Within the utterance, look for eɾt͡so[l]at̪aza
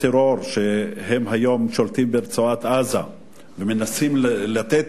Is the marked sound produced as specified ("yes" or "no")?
no